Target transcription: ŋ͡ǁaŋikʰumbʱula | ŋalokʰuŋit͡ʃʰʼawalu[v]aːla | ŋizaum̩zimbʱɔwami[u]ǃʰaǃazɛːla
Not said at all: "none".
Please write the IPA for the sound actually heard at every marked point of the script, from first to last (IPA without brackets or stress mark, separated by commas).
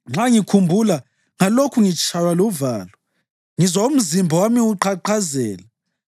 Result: v, u